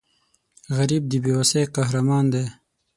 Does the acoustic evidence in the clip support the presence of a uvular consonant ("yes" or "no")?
yes